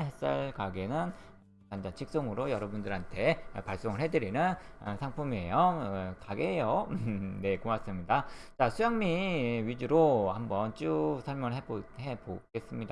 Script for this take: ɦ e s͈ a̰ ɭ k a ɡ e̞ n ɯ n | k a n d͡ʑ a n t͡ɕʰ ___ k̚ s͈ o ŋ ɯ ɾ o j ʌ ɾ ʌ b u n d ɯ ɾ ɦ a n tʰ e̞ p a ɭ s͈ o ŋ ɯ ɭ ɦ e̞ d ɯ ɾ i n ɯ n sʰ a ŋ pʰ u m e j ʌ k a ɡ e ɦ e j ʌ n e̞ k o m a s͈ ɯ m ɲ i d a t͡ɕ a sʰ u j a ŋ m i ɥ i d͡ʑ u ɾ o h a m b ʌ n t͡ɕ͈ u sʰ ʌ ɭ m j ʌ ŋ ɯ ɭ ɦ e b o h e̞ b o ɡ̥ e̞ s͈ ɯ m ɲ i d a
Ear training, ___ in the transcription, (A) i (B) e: A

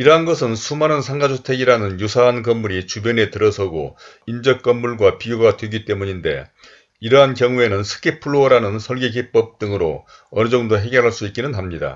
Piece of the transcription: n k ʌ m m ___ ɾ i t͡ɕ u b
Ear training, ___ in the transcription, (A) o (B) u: B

